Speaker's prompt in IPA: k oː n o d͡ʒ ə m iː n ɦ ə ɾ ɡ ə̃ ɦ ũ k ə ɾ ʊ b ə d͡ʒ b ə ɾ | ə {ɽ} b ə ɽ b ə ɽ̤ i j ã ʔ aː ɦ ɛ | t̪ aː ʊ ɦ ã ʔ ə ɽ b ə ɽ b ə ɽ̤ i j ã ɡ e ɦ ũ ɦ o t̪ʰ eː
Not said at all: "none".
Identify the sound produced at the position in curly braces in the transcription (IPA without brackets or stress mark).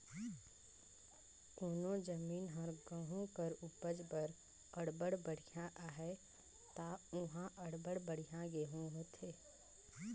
ɽ